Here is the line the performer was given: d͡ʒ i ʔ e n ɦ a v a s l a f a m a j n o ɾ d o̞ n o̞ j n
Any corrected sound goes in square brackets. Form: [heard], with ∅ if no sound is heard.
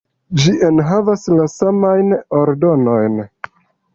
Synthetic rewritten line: d͡ʒ i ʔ e n ɦ a v a s l a [s] a m a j n o ɾ d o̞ n o̞ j n